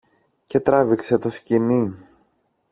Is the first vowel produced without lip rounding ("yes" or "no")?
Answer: yes